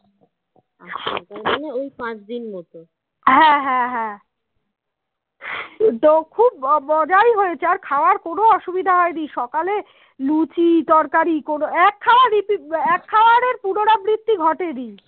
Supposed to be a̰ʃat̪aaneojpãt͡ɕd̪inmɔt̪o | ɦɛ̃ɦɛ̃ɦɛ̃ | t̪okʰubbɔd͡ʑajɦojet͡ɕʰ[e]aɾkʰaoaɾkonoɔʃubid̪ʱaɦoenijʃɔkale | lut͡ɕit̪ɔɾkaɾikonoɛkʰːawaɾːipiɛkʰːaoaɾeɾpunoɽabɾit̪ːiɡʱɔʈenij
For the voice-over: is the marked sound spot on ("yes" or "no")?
yes